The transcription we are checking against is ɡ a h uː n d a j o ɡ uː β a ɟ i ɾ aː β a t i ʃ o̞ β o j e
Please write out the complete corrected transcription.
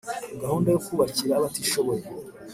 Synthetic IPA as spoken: ɡ a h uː n d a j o k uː β a c i ɾ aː β a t i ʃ o̞ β o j e